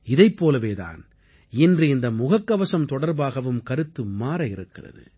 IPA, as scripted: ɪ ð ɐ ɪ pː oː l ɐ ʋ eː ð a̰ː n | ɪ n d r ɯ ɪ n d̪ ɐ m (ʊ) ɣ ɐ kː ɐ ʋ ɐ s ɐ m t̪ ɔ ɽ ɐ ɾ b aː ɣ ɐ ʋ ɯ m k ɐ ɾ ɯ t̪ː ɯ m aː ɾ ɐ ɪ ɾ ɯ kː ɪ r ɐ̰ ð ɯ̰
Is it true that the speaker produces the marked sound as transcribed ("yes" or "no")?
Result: yes